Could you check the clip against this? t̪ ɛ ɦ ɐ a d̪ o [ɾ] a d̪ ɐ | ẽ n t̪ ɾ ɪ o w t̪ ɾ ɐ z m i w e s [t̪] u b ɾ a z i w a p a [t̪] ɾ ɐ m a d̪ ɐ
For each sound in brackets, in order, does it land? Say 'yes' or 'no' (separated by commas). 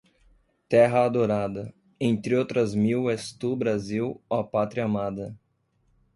yes, yes, yes